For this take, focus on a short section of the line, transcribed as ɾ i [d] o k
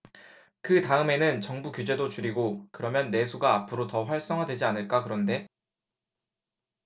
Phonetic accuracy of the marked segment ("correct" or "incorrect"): incorrect